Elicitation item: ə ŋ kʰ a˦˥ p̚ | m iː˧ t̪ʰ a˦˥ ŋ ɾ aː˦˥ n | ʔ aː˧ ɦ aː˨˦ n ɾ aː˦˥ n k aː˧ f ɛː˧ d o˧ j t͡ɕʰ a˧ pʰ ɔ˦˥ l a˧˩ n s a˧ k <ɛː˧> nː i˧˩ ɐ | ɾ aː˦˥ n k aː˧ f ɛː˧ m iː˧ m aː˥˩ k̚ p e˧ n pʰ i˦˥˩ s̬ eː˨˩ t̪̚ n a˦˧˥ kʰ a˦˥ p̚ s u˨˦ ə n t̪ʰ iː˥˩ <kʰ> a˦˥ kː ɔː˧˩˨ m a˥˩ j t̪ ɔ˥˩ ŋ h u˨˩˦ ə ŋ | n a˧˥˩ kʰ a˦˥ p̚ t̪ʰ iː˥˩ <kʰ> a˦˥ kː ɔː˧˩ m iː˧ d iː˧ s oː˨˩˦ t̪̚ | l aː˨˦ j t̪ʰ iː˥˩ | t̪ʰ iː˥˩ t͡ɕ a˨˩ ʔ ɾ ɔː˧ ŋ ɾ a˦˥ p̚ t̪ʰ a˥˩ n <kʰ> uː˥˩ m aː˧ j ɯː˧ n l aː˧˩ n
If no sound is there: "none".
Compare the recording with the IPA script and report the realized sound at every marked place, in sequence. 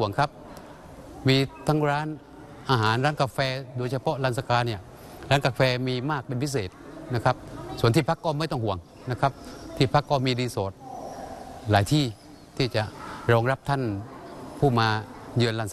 aː˧, pʰ, pʰ, pʰ

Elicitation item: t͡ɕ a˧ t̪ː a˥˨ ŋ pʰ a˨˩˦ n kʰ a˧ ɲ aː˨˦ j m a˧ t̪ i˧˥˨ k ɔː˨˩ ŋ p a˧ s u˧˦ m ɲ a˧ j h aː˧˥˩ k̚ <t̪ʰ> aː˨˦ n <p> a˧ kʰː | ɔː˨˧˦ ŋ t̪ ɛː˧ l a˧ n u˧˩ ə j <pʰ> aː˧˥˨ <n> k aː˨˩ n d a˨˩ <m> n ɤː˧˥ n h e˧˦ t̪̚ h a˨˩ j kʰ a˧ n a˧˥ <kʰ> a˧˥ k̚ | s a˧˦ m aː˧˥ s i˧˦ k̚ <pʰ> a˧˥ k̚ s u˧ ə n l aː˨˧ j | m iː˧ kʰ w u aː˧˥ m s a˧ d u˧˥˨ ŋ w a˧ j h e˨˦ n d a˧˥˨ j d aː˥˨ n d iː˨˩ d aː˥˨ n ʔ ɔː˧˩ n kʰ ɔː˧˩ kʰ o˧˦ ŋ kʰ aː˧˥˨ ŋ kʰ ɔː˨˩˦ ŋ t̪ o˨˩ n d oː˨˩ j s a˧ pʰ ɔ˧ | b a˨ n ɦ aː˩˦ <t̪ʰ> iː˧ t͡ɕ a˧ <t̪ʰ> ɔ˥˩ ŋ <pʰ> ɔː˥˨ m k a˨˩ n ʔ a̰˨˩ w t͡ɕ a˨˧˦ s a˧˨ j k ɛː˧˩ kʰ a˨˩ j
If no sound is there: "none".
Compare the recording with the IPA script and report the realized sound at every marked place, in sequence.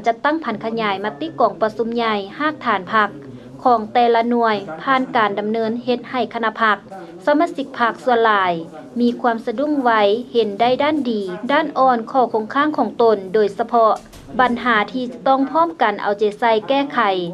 t̪ʰ, pʰ, pʰ, n, m, pʰ, pʰ, t̪ʰ, t̪, pʰ

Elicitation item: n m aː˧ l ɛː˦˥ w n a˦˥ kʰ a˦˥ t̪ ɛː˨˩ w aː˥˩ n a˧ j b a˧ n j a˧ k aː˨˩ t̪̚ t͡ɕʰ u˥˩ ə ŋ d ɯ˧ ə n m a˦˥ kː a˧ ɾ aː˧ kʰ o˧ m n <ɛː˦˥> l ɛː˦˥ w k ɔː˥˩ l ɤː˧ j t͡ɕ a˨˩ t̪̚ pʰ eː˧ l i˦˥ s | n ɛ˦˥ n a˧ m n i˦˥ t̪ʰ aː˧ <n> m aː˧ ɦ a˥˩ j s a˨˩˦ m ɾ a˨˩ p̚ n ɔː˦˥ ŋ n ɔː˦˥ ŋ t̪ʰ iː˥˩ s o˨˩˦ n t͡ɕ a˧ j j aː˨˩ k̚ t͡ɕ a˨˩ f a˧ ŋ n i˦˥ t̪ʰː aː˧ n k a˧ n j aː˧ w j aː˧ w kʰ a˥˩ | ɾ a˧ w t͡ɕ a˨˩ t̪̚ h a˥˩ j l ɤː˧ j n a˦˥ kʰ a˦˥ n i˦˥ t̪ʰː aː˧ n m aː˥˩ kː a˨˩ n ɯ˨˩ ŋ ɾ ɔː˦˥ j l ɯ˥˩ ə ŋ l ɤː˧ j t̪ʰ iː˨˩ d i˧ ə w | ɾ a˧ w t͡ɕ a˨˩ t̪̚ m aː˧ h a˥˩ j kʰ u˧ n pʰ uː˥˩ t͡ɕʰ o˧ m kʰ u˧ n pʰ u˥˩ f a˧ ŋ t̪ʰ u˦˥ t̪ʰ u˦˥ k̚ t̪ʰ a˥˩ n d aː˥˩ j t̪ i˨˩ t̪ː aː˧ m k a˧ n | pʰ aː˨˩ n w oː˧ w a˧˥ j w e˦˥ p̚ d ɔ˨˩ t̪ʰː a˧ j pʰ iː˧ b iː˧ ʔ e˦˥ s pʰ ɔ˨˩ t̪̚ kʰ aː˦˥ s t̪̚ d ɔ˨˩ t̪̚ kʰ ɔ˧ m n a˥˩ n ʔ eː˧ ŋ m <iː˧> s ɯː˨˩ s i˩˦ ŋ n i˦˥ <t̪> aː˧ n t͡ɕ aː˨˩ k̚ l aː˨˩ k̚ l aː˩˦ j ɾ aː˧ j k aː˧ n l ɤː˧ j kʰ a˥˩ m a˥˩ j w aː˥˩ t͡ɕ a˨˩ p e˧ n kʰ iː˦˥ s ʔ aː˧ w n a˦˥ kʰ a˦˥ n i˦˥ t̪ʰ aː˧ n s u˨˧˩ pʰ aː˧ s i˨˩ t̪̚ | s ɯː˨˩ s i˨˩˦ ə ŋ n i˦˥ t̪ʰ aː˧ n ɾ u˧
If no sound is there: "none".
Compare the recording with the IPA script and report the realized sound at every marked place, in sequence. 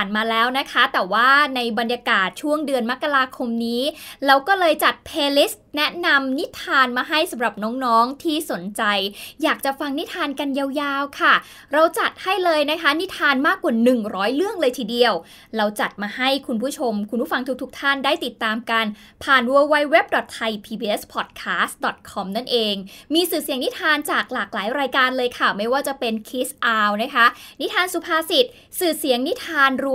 iː˦˥, n, iː˧, t̪ʰ

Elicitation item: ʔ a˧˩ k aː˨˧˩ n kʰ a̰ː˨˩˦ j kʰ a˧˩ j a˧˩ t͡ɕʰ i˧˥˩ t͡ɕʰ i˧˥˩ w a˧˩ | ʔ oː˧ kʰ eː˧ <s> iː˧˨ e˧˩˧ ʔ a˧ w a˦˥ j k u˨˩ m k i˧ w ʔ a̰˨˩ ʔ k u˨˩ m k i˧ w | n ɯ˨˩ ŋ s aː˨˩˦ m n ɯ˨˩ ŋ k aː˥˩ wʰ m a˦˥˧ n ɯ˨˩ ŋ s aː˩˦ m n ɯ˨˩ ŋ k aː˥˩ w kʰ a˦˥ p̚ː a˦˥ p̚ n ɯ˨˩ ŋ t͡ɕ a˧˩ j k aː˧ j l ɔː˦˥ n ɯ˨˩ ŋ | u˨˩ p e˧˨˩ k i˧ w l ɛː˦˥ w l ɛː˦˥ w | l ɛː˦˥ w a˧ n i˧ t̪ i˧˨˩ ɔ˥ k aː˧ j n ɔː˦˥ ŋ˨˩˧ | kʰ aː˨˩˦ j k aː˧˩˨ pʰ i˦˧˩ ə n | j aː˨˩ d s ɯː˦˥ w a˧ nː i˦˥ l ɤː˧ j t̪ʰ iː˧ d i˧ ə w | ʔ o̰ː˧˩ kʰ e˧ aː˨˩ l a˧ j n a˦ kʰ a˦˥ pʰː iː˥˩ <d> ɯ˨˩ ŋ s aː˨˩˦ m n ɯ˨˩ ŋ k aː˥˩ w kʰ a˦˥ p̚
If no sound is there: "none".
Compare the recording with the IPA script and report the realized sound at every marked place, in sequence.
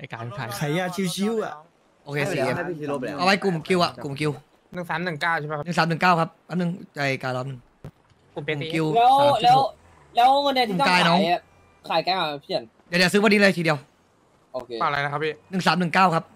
s, n

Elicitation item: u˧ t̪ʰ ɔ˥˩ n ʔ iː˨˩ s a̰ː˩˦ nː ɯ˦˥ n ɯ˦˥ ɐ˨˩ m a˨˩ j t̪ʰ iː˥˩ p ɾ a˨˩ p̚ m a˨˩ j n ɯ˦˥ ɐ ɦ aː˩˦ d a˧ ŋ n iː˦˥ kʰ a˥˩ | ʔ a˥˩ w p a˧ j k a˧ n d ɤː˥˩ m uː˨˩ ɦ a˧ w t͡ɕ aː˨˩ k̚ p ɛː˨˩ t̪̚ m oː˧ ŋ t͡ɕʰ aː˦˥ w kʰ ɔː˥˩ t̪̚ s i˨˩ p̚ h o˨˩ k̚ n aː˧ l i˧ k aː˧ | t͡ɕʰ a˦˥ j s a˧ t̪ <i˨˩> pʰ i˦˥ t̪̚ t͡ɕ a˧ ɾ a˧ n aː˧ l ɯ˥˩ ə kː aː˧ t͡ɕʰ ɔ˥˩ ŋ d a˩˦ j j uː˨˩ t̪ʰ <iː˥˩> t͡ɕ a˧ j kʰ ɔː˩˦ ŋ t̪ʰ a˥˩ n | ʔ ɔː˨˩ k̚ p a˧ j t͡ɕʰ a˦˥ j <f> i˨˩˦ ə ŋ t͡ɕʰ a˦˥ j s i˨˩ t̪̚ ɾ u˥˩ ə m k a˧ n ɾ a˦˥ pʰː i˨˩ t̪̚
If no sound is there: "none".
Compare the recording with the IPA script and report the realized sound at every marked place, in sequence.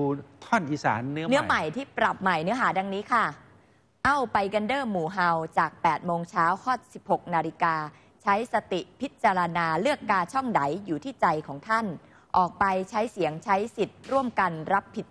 i˨˩, iː˥˩, s

